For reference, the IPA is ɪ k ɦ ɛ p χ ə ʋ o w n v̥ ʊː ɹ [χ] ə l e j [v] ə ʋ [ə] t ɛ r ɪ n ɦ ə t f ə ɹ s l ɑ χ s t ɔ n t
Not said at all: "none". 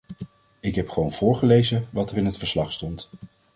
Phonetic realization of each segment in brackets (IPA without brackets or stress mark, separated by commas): χ, z, ɑ